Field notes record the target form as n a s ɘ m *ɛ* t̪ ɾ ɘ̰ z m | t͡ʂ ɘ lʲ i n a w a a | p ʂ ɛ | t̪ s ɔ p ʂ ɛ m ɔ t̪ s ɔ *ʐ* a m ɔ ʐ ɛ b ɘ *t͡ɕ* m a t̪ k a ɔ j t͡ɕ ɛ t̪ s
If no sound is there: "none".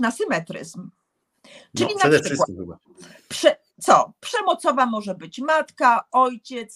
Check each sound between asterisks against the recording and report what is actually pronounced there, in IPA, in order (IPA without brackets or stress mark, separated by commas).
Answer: ɛ, v, t͡ɕ